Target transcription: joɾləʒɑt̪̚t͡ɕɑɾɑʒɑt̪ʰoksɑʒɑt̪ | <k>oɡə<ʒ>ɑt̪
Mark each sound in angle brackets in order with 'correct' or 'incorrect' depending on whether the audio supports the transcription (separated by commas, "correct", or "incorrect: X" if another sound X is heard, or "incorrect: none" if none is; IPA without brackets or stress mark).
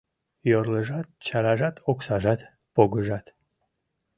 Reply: incorrect: p, correct